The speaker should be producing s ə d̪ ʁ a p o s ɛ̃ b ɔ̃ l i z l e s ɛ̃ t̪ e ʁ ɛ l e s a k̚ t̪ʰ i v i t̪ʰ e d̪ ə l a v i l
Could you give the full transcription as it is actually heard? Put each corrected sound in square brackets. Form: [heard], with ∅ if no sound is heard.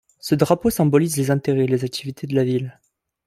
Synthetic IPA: s ə d̪ ʁ a p o s ɛ̃ b [ɔ] l i z l e [z] ɛ̃ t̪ e ʁ ɛ l e [z] a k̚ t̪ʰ i v i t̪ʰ e d̪ ə l a v i l